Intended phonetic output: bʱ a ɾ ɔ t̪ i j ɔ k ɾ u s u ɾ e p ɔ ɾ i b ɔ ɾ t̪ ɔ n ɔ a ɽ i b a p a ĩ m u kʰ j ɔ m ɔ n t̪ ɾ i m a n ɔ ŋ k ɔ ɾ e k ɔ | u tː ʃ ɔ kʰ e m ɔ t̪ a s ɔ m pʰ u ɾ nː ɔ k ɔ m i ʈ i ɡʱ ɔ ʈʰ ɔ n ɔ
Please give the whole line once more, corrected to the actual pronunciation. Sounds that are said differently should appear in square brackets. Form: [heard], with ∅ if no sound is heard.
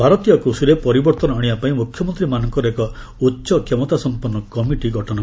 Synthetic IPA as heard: bʱ a ɾ ɔ t̪ i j ɔ k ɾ u s u ɾ e p ɔ ɾ i b ɔ ɾ t̪ ɔ n ɔ a ɽ i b a p a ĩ m u kʰ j ɔ m ɔ n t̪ ɾ i m a n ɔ ŋ k ɔ ɾ e k ɔ | u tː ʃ ɔ kʰ e m ɔ t̪ a s ɔ m [p] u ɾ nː ɔ k ɔ m i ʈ i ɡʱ ɔ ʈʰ ɔ n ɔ

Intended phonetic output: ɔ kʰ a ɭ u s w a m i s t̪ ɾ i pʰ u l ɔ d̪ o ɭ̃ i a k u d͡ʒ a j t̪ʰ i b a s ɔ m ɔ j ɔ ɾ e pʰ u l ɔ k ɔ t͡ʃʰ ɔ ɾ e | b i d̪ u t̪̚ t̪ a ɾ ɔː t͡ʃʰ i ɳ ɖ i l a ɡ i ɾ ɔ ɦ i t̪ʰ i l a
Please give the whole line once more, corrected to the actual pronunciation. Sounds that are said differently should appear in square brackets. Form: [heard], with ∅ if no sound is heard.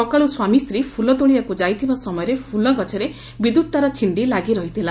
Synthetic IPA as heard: ɔ [k] a ɭ u s w a m i s t̪ ɾ i pʰ u l ɔ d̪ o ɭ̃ i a k u d͡ʒ a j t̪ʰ i b a s ɔ m ɔ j ɔ ɾ e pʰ u l ɔ [ɡ] ɔ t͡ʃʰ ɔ ɾ e | b i d̪ u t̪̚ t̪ a ɾ [ɔ] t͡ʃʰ i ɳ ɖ i l a ɡ i ɾ ɔ ɦ i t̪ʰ i l a

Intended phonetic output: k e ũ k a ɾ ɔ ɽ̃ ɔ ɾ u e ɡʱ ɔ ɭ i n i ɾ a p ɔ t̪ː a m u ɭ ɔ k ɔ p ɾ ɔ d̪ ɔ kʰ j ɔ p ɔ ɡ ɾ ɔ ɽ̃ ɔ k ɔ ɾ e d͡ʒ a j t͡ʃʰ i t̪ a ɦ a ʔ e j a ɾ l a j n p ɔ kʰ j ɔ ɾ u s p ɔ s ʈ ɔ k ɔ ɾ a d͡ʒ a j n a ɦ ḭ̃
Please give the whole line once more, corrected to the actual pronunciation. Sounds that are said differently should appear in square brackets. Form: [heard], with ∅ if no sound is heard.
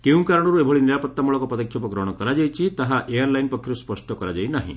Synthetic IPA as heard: k e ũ k a ɾ ɔ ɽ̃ ɔ ɾ u e [bʱ] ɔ ɭ i n i ɾ a p ɔ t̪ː a m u ɭ ɔ k ɔ p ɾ ɔ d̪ ɔ kʰ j ɔ p ɔ ɡ ɾ ɔ ɽ̃ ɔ k ɔ ɾ [a] d͡ʒ a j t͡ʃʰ i t̪ a ɦ a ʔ e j a ɾ l a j n p ɔ kʰ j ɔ ɾ u s p ɔ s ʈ ɔ k ɔ ɾ a d͡ʒ a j n a ɦ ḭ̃

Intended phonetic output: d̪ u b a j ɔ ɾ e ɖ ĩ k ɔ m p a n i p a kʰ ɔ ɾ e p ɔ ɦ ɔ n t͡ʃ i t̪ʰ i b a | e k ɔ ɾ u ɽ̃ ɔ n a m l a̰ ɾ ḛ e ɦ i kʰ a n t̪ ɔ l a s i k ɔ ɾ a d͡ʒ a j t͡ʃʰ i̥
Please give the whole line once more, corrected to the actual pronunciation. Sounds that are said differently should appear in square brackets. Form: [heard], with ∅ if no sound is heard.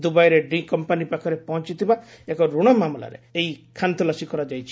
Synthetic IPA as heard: d̪ u b a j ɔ ɾ e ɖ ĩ k ɔ m p a n i p a kʰ ɔ ɾ e p ɔ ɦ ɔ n t͡ʃ i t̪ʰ i b a | e k ɔ ɾ u ɽ̃ ɔ [m] a m l a̰ ɾ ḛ e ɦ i kʰ a n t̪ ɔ l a s i k ɔ ɾ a d͡ʒ a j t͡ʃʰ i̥

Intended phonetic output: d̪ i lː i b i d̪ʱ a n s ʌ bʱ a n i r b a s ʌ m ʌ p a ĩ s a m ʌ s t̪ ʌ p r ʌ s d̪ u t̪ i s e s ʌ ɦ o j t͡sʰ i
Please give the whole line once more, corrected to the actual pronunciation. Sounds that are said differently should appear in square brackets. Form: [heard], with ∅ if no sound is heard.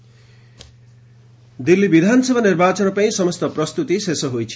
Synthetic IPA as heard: d̪ i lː i b i d̪ʱ a n s ʌ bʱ a n i r b a [t͡s] ʌ [n] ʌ p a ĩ s [ʌ] m ʌ s t̪ ʌ p r ʌ s [t̪] u t̪ i s e s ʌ ɦ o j t͡sʰ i

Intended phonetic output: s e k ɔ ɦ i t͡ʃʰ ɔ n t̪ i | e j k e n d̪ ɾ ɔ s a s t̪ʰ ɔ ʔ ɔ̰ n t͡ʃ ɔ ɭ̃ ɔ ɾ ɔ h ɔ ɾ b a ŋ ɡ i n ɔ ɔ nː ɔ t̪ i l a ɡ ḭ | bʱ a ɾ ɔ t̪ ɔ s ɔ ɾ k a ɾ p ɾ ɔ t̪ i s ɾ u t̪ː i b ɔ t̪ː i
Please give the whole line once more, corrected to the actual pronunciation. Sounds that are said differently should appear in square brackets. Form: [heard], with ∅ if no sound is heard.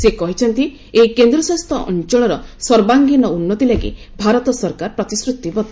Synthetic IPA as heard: s e k ɔ ɦ i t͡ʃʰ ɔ n t̪ i | e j k e n d̪ ɾ ɔ s a s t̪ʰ ɔ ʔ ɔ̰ n t͡ʃ ɔ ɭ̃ ɔ ɾ ɔ [s] ɔ ɾ b a ŋ ɡ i n ɔ [u] nː ɔ t̪ i l a ɡ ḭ | bʱ a ɾ ɔ t̪ ɔ s ɔ ɾ k a ɾ p ɾ ɔ t̪ i s ɾ u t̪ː i b ɔ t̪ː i

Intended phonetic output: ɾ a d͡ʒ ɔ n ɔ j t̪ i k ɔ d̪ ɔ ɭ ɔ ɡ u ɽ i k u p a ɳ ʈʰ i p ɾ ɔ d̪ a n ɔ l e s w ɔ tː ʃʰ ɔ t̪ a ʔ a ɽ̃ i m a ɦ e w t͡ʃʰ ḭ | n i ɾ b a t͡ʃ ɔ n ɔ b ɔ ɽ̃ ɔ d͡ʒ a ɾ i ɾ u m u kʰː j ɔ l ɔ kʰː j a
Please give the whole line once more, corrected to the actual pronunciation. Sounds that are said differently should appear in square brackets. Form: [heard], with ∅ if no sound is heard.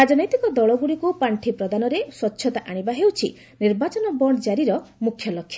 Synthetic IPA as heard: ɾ a d͡ʒ ɔ n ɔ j t̪ i k ɔ d̪ ɔ ɭ ɔ ɡ u ɽ i k u p a ɳ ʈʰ i p ɾ ɔ d̪ a n ɔ [ɾ] e s w ɔ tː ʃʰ ɔ t̪ a ʔ a ɽ̃ i [b] a ɦ e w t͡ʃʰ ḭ | n i ɾ b a t͡ʃ ɔ n ɔ b ɔ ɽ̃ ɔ d͡ʒ a ɾ i ɾ [ɔ] m u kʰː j ɔ l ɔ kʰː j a

